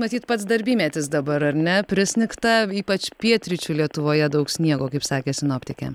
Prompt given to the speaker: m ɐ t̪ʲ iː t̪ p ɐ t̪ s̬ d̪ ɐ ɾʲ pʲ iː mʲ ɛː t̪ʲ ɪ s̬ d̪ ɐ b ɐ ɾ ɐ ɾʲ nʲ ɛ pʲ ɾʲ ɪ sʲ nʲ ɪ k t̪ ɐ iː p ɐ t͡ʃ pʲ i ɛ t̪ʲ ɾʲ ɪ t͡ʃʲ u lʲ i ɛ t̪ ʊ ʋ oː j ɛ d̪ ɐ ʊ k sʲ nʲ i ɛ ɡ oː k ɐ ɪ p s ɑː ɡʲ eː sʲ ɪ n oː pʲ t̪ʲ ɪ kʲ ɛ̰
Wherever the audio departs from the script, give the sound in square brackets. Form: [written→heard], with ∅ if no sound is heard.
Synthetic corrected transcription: m ɐ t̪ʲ iː t̪ p ɐ t̪ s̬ d̪ ɐ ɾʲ [pʲ→bʲ] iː mʲ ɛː t̪ʲ ɪ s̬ d̪ ɐ b ɐ ɾ ɐ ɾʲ nʲ ɛ pʲ ɾʲ ɪ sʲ nʲ ɪ k t̪ ɐ iː p ɐ t͡ʃ pʲ i ɛ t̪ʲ ɾʲ ɪ t͡ʃʲ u lʲ i ɛ t̪ ʊ ʋ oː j ɛ d̪ ɐ ʊ k sʲ nʲ i ɛ ɡ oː k ɐ ɪ p s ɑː [ɡʲ→kʲ] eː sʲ ɪ n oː pʲ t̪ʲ ɪ kʲ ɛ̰